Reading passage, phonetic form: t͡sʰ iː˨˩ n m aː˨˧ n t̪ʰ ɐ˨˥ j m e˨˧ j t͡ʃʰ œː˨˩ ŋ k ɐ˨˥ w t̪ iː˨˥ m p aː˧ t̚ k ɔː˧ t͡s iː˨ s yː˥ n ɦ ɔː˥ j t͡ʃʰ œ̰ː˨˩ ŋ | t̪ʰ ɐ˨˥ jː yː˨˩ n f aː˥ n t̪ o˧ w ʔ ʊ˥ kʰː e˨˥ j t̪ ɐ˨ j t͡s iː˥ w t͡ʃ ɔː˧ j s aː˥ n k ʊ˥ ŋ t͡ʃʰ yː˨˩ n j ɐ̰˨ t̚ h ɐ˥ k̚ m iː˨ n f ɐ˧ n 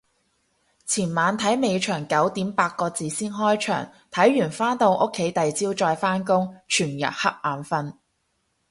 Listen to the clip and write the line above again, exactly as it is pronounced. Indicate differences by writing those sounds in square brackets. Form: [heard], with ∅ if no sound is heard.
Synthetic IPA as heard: t͡sʰ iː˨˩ n m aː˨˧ n t̪ʰ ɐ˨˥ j m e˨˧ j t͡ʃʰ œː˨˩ ŋ k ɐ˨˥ w t̪ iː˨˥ m p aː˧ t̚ k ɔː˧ t͡s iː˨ s [iː˥] n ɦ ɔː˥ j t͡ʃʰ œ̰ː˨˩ ŋ | t̪ʰ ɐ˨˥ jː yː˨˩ n f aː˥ n t̪ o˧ w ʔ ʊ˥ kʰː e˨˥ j t̪ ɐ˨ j t͡s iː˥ w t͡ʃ ɔː˧ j [f] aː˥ n k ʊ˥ ŋ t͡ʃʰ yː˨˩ n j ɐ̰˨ t̚ h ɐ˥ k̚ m [aː˨] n f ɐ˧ n

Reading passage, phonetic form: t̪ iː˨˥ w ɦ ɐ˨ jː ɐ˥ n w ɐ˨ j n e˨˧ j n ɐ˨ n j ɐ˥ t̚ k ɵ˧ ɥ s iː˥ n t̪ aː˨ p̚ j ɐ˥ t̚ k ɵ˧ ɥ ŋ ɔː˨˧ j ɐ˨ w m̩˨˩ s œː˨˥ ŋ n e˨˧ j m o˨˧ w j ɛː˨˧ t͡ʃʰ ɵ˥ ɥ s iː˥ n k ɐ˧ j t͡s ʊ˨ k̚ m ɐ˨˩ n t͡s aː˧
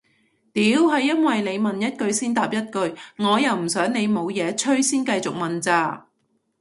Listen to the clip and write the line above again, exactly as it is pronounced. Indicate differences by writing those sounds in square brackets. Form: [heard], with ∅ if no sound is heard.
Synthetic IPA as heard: t̪ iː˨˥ w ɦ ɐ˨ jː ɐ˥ n w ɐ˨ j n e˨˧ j [m] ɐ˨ n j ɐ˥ t̚ k ɵ˧ ɥ s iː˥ n t̪ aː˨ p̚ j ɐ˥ t̚ k ɵ˧ ɥ ŋ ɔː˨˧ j ɐ˨ w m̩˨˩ s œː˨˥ ŋ n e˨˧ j m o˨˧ w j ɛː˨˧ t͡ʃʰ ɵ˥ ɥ s iː˥ n k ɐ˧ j t͡s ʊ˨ k̚ m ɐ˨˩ n t͡s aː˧

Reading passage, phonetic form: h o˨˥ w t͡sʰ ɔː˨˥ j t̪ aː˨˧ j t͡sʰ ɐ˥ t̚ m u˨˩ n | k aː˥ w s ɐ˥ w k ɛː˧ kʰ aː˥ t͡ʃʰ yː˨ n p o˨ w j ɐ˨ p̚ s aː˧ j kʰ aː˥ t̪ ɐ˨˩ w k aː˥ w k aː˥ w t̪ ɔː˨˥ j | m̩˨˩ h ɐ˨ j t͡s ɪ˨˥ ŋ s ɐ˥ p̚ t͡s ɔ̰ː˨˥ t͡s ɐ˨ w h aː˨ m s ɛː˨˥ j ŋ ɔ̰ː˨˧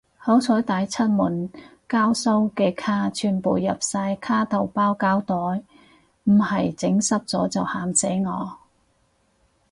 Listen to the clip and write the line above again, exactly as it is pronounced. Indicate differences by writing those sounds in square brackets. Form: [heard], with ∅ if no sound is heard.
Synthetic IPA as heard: h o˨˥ w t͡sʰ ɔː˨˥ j t̪ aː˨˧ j t͡sʰ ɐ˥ t̚ m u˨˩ n | k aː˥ w s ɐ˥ w k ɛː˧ kʰ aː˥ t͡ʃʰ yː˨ n p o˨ w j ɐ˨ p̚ s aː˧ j kʰ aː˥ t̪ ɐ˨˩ w [p] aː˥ w k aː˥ w t̪ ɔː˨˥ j | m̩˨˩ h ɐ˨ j t͡s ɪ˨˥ ŋ s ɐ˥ p̚ t͡s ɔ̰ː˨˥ t͡s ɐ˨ w h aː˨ m s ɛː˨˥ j ŋ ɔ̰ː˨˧

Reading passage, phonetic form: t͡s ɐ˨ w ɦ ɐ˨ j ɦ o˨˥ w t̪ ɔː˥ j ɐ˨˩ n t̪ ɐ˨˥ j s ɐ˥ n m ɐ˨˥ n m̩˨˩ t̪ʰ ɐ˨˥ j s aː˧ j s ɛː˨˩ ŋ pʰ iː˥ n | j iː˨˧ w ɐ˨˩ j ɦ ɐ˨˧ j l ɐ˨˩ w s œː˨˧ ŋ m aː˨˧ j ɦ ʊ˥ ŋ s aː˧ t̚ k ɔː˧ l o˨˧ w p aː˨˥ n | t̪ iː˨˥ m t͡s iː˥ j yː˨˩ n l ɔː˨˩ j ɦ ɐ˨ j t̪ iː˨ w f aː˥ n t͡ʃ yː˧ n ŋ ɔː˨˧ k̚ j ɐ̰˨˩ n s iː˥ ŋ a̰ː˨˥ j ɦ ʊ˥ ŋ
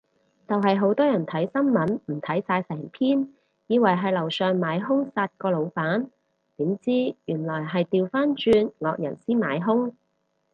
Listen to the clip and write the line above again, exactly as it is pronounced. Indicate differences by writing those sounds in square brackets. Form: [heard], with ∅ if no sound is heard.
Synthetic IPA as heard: t͡s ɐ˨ w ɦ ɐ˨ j ɦ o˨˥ w t̪ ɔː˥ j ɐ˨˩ n [t̪ʰ] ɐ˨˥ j s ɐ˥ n m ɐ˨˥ n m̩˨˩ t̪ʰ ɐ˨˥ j s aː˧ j s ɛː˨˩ ŋ pʰ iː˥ n | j iː˨˧ w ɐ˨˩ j ɦ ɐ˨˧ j l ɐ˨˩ w s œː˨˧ ŋ m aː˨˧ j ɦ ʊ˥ ŋ s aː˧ t̚ k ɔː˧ l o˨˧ w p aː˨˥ n | t̪ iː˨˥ m t͡s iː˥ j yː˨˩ n l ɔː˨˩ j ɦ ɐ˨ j t̪ iː˨ w f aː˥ n t͡ʃ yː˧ n ŋ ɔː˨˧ k̚ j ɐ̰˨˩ n s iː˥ [m] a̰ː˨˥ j ɦ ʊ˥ ŋ

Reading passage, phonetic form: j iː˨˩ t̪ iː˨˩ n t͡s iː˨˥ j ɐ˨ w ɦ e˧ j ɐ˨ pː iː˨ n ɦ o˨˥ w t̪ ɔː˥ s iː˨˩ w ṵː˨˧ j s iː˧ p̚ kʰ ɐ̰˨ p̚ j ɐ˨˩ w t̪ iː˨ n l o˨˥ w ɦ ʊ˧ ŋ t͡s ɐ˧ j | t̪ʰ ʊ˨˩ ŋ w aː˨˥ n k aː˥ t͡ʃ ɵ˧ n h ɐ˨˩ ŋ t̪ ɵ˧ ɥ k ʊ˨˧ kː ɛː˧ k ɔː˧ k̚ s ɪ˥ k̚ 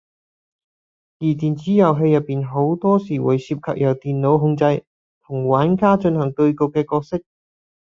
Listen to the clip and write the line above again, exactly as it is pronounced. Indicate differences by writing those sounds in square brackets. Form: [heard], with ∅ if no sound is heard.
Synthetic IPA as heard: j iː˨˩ t̪ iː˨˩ n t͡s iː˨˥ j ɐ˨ w ɦ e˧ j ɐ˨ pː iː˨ n ɦ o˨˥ w t̪ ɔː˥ s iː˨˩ w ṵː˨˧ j s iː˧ p̚ kʰ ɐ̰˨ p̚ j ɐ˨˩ w t̪ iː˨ n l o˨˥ w ɦ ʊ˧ ŋ t͡s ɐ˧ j | t̪ʰ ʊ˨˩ ŋ w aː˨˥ n k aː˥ t͡ʃ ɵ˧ n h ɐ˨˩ ŋ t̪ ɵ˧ ɥ k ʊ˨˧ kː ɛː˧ k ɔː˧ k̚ s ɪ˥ k̚

